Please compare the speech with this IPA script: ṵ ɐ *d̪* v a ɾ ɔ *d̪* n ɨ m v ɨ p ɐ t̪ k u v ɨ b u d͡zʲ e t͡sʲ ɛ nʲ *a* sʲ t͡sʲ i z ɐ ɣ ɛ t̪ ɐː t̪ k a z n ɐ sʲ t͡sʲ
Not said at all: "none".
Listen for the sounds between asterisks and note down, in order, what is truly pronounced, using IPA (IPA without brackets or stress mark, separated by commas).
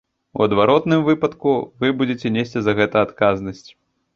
d̪, t̪, e